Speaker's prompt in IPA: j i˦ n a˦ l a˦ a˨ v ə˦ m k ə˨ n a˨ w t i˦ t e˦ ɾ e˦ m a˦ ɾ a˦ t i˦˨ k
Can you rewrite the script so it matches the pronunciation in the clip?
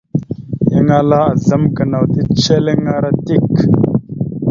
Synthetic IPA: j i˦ ŋ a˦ l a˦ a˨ z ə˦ m k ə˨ n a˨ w t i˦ t͡ʃ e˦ l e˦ ŋ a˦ ɾ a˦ t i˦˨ k